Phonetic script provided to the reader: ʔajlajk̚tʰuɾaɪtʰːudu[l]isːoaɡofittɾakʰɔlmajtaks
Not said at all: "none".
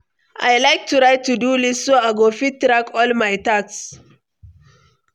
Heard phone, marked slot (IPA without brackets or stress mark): l